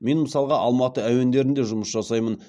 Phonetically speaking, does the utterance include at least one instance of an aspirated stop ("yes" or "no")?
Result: no